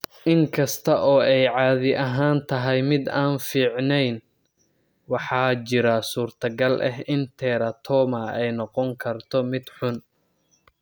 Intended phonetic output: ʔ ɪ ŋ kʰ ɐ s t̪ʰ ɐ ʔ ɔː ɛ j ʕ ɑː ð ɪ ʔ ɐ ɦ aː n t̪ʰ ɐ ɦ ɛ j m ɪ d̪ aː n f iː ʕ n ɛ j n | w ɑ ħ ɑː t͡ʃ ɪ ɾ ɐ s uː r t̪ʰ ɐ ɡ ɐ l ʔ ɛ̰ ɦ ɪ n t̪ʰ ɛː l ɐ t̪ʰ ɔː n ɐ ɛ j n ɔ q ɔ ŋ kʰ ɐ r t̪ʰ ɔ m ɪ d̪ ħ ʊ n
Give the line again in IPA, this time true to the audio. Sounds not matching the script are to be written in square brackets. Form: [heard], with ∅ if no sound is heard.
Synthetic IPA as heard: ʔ ɪ ŋ kʰ ɐ s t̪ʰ ɐ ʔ ɔː ɛ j ʕ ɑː ð ɪ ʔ ɐ ɦ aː n t̪ʰ ɐ ɦ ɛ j m ɪ d̪ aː n f iː ʕ n ɛ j n | w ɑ ħ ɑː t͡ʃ ɪ ɾ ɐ s uː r t̪ʰ ɐ ɡ ɐ l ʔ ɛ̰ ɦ ɪ n t̪ʰ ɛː [ɾ] ɐ t̪ʰ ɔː [m] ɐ ɛ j n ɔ q ɔ ŋ kʰ ɐ r t̪ʰ ɔ m ɪ d̪ ħ ʊ n